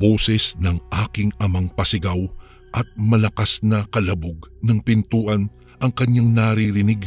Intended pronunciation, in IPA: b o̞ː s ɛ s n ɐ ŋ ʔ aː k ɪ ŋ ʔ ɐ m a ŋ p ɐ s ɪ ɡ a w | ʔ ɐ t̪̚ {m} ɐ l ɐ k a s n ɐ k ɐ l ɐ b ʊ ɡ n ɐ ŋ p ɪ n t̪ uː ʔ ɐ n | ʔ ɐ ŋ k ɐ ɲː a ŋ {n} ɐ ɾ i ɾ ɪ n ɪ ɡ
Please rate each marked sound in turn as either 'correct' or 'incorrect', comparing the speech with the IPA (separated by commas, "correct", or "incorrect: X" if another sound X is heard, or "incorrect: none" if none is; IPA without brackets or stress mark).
correct, correct